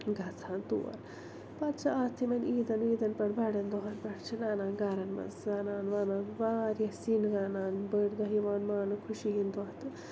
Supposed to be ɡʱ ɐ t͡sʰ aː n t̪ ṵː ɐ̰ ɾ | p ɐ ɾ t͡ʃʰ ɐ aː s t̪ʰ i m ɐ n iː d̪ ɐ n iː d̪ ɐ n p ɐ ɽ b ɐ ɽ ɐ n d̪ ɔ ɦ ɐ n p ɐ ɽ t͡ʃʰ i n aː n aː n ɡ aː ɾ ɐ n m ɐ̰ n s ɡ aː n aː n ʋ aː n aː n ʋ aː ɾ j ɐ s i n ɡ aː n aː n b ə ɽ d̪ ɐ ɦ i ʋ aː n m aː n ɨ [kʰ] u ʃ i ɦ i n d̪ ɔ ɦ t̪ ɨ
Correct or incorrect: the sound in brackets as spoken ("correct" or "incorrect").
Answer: correct